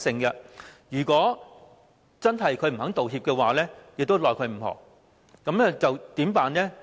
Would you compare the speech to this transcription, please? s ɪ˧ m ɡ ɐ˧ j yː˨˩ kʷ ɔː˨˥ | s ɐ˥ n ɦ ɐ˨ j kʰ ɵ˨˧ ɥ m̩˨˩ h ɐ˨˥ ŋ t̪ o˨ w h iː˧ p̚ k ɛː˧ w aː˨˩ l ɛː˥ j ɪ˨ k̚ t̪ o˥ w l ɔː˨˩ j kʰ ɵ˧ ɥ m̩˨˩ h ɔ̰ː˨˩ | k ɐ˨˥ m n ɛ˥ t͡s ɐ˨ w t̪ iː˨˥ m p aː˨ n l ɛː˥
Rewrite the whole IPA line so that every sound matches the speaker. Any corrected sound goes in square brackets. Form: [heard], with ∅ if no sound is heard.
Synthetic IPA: s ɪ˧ [ŋ] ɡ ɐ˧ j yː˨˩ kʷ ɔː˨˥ | [t͡s] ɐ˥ n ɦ ɐ˨ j kʰ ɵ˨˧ ɥ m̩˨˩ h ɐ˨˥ ŋ t̪ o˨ w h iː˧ p̚ k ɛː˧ w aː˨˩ l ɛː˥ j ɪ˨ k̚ t̪ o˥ w l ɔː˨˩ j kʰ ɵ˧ ɥ m̩˨˩ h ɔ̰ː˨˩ | k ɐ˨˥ m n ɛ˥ t͡s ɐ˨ w t̪ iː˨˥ m p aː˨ n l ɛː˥

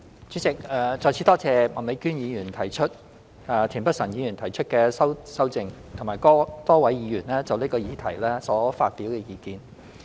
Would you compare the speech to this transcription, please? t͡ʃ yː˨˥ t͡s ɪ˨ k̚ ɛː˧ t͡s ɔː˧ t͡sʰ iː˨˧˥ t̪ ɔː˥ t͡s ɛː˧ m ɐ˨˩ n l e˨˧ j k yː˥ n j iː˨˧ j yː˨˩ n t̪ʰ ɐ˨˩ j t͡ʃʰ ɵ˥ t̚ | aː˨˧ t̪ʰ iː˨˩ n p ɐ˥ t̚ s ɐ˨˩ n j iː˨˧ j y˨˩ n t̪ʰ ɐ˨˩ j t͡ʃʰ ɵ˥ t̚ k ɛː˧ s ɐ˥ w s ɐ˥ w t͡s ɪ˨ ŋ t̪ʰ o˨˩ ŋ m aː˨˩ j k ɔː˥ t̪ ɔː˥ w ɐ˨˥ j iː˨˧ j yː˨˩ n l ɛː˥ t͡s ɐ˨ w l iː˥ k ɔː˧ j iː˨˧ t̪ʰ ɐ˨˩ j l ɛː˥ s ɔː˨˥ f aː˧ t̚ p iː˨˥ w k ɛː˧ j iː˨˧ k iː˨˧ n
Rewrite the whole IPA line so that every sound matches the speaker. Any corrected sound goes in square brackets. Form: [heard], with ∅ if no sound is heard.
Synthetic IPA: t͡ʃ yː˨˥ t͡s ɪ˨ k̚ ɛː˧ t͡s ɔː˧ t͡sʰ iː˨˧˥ t̪ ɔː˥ t͡s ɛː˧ m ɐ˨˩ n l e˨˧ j k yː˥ n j iː˨˧ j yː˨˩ n t̪ʰ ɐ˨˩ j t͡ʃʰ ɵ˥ t̚ | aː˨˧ t̪ʰ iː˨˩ n p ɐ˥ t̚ s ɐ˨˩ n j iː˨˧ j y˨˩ n t̪ʰ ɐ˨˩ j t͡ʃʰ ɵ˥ t̚ k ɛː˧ s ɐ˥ w s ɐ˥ w t͡s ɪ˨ ŋ t̪ʰ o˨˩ ŋ m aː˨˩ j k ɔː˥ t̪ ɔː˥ w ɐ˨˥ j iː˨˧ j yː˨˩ n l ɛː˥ t͡s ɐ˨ w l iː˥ k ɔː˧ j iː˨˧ t̪ʰ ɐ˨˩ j l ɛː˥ s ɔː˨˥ f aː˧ t̚ p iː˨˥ w k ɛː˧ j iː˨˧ k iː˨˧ n

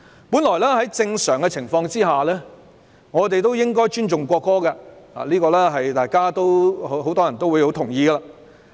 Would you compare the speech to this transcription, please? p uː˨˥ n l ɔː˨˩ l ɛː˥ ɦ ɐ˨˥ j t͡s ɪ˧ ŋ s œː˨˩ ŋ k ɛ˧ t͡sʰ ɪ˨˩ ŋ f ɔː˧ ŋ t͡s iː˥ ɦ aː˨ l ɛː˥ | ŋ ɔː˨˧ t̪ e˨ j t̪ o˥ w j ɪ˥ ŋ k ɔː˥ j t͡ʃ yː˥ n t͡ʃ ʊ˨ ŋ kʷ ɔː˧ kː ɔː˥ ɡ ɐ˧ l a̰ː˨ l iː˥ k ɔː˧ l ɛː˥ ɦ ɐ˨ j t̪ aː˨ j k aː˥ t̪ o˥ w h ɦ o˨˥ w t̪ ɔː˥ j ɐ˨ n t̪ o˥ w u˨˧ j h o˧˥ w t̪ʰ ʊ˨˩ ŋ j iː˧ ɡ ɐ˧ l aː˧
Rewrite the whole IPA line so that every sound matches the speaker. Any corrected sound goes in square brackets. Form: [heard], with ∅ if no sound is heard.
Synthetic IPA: p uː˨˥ n l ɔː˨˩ l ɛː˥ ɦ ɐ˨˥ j t͡s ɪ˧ ŋ s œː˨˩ ŋ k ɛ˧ t͡sʰ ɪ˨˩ ŋ f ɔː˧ ŋ t͡s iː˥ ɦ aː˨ l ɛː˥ | ŋ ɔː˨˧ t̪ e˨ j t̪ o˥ w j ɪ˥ ŋ k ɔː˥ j t͡ʃ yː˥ n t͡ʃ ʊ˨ ŋ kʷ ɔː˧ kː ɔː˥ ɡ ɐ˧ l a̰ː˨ l iː˥ k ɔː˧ l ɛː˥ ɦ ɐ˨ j t̪ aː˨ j k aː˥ t̪ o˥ w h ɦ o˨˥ w t̪ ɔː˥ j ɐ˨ n t̪ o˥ w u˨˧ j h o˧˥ w t̪ʰ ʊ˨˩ ŋ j iː˧ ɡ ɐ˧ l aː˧

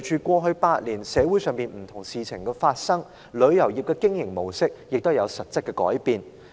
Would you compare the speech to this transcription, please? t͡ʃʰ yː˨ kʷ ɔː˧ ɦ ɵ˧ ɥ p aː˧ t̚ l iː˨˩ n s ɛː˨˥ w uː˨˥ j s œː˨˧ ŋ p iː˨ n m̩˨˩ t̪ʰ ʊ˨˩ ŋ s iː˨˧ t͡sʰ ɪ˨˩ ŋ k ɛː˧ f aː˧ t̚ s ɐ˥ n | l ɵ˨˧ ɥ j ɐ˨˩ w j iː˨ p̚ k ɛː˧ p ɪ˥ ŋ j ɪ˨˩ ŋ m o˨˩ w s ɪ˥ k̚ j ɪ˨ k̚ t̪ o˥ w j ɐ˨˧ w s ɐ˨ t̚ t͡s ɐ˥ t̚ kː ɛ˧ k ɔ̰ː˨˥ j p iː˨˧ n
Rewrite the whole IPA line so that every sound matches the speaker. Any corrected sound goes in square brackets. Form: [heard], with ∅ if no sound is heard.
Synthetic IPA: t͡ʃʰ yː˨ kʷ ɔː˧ ɦ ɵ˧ ɥ p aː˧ t̚ l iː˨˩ n s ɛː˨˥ w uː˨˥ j s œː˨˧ ŋ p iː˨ n m̩˨˩ t̪ʰ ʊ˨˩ ŋ s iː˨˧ t͡sʰ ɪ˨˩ ŋ k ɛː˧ f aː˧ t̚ s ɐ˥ [ŋ] | l ɵ˨˧ ɥ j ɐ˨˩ w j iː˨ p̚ k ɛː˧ [k] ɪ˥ ŋ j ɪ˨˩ ŋ m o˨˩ w s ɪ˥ k̚ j ɪ˨ k̚ t̪ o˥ w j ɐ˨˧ w s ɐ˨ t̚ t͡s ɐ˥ t̚ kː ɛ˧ k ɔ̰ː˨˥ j p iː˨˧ n

